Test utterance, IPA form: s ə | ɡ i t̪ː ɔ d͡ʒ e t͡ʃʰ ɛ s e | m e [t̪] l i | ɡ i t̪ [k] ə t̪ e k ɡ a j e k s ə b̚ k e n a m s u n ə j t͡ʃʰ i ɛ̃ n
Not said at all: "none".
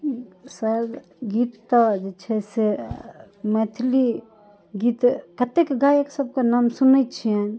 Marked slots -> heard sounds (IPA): t̪ʰ, k

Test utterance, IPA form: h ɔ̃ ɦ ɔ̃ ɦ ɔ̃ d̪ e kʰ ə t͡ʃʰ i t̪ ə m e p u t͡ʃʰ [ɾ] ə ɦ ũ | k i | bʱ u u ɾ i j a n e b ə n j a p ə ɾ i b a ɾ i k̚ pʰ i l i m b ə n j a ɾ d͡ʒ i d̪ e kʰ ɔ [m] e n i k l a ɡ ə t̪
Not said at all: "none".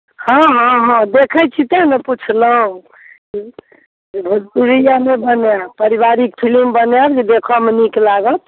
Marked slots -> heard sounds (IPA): l, m

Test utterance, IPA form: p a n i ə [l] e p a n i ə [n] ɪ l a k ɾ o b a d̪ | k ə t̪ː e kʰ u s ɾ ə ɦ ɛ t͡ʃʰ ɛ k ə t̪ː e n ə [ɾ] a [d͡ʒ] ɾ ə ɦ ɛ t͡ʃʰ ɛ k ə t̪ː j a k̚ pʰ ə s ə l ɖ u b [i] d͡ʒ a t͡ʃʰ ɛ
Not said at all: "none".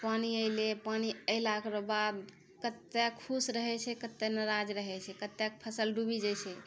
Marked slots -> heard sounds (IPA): l, none, ɾ, d͡ʒ, i

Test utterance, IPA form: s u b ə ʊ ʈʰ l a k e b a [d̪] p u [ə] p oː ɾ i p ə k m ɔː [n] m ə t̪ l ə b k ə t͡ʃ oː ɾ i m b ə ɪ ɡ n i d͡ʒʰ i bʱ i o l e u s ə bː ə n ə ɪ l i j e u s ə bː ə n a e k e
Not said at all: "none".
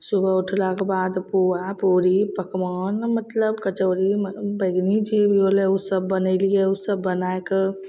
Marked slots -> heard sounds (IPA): d̪, a, n

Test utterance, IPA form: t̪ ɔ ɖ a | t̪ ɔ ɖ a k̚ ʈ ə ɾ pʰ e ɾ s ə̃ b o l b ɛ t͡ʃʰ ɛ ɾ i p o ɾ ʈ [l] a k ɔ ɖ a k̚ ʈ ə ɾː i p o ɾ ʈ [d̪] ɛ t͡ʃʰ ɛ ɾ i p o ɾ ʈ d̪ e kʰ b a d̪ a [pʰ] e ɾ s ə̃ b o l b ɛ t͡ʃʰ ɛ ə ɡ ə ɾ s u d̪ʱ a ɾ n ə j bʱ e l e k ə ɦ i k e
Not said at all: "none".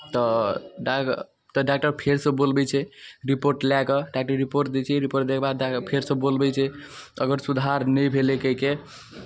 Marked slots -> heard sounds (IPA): l, d̪, pʰ

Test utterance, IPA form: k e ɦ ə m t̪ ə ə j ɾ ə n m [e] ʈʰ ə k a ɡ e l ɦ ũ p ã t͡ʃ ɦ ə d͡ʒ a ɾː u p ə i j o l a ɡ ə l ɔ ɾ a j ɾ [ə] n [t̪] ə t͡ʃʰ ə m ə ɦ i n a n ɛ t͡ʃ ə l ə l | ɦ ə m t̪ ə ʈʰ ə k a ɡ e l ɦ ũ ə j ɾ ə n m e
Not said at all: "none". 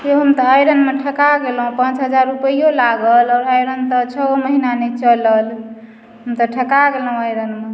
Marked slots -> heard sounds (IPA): e, ə, t̪

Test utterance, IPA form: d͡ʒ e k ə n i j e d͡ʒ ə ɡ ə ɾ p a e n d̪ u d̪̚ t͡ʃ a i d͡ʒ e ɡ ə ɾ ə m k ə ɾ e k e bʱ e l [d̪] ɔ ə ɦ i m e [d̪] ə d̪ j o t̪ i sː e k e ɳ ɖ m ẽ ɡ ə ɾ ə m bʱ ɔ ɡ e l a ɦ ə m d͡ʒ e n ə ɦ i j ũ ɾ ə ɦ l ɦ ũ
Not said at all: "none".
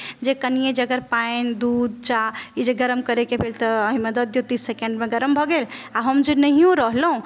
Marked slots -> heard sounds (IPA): t̪, d̪

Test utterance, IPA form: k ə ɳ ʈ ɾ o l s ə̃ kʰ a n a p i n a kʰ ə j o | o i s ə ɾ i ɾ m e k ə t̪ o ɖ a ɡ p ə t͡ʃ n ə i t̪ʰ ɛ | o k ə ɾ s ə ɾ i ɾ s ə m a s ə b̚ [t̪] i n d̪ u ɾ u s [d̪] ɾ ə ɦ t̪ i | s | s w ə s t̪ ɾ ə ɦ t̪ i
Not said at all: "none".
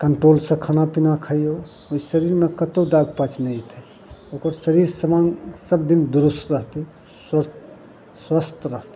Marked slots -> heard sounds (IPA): d̪, t̪

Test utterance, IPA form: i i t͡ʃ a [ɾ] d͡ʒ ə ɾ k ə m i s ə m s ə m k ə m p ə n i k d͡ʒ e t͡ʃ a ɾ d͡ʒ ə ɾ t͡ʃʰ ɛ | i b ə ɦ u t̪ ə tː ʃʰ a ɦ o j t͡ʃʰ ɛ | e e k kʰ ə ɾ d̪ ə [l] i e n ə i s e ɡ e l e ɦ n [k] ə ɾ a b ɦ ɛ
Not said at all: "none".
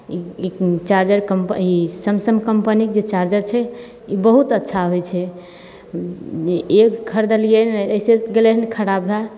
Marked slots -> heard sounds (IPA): ɾ, l, kʰ

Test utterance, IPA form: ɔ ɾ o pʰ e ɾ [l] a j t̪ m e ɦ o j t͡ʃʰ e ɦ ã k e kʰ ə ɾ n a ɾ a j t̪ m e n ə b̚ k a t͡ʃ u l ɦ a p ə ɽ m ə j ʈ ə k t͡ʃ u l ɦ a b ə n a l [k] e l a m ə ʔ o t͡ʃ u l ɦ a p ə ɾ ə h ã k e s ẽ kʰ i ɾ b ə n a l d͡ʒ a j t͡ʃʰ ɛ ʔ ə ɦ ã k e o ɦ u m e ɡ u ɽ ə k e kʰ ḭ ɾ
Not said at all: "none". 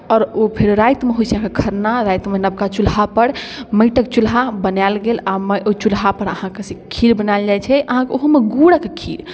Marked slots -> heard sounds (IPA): ɾ, ɡ

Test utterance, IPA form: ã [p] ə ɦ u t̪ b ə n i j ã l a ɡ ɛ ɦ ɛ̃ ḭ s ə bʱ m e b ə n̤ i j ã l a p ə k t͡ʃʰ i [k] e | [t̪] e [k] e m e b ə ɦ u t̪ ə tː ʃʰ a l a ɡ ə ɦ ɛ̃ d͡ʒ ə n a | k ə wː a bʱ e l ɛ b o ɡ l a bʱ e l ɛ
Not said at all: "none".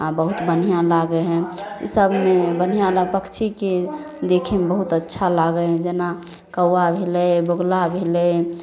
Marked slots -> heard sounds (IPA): b, k, d̪, kʰ

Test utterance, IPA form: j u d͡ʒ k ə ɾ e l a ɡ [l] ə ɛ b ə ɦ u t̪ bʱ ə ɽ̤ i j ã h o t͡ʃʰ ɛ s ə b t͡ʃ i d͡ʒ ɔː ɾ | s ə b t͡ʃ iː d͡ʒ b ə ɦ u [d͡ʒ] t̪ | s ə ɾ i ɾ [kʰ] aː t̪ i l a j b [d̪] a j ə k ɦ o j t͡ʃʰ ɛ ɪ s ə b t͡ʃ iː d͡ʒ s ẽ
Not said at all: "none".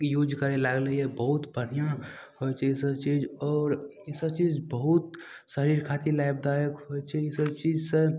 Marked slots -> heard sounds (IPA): l, none, kʰ, d̪

